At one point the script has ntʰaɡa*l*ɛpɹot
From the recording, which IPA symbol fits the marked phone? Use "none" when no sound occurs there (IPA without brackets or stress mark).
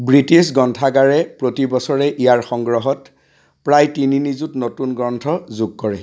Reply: ɹ